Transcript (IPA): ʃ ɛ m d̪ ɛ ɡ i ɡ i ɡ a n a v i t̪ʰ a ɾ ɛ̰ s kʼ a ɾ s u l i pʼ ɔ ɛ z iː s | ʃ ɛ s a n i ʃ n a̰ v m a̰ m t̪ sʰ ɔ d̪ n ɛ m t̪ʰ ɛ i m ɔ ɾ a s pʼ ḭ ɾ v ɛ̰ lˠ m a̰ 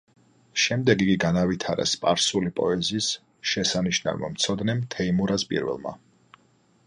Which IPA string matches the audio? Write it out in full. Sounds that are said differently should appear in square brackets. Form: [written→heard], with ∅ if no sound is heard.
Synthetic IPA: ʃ ɛ m d̪ ɛ ɡ i ɡ i ɡ a n a v i t̪ʰ a ɾ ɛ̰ s [kʼ→pʼ] a ɾ s u l i pʼ ɔ ɛ z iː s | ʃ ɛ s a n i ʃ n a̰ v m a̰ m t̪ sʰ ɔ d̪ n ɛ m t̪ʰ ɛ i m [ɔ→u] ɾ a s pʼ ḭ ɾ v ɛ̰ lˠ m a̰